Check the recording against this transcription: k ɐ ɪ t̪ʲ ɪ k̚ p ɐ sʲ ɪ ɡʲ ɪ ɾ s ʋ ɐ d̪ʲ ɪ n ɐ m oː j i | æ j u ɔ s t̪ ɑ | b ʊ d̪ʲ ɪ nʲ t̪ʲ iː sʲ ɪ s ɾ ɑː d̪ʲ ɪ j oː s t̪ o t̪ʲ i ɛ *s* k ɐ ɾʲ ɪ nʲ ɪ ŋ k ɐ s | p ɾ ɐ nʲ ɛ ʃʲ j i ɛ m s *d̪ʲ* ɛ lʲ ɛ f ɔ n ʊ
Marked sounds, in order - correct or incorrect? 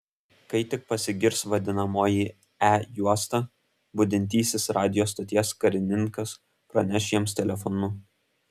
correct, incorrect: t̪ʲ

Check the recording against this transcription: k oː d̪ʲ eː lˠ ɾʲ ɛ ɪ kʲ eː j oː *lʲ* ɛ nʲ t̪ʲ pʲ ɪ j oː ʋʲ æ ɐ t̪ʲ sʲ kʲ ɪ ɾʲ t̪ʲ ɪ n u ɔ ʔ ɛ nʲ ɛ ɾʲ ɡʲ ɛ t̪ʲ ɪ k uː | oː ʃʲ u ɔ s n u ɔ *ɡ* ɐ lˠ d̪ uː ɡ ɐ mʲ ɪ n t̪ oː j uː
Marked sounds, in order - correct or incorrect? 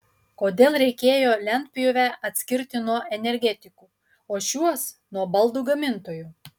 correct, incorrect: b

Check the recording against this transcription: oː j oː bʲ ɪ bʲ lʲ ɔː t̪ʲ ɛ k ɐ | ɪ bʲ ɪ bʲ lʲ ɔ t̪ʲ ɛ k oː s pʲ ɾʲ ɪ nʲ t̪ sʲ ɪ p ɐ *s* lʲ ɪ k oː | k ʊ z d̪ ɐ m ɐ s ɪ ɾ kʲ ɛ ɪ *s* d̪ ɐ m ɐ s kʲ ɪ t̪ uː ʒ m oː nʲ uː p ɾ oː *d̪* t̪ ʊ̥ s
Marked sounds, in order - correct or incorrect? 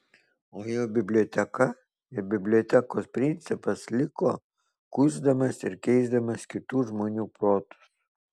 correct, incorrect: z, incorrect: none

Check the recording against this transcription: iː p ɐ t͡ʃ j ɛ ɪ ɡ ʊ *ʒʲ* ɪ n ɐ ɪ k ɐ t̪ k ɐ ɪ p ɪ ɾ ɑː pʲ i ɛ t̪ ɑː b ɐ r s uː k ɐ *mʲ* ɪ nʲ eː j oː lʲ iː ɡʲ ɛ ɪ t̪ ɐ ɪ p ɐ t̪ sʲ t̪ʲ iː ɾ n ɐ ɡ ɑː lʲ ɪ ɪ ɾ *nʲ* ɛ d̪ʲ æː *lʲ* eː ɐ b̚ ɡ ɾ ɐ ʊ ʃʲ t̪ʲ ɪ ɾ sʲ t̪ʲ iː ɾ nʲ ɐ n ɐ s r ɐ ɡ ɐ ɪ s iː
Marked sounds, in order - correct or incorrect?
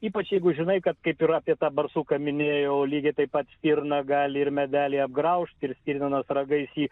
correct, correct, incorrect: mʲ, correct

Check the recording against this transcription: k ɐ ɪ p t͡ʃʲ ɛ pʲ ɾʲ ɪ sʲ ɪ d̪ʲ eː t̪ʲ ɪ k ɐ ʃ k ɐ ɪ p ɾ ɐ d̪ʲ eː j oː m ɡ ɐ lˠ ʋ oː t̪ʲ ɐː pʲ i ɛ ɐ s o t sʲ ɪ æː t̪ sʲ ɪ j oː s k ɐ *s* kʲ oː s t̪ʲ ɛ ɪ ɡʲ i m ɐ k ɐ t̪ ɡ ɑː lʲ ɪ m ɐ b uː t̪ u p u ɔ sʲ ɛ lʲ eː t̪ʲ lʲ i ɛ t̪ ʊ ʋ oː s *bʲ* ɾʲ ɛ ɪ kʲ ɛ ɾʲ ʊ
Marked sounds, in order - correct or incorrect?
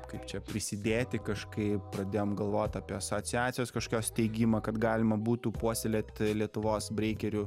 incorrect: ʃ, correct

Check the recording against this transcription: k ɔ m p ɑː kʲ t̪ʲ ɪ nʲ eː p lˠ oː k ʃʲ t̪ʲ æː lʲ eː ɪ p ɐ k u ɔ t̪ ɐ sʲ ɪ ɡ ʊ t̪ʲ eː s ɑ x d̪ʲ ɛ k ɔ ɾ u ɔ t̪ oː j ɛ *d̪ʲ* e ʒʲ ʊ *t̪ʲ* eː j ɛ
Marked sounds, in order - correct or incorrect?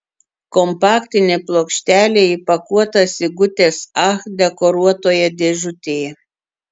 correct, correct

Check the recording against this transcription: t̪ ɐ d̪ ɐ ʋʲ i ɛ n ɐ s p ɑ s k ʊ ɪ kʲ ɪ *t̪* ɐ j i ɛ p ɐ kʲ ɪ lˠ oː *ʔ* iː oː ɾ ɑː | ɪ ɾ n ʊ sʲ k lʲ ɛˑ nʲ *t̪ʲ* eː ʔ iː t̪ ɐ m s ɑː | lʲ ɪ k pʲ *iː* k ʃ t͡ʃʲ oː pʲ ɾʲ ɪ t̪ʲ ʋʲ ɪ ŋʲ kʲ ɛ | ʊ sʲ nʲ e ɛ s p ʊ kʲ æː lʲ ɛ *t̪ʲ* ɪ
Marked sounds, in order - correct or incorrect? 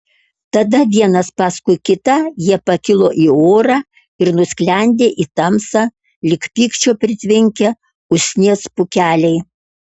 correct, correct, incorrect: d̪ʲ, correct, incorrect: none

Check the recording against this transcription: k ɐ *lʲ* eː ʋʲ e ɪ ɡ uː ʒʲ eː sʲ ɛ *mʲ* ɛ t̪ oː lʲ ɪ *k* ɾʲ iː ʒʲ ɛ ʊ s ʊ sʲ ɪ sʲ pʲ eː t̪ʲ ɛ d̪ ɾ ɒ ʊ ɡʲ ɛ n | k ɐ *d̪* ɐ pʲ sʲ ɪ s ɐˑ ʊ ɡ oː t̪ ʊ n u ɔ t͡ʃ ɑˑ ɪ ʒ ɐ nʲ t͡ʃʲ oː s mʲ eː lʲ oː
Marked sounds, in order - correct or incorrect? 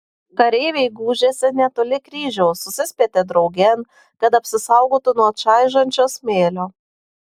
incorrect: ɾʲ, incorrect: nʲ, correct, incorrect: t̪

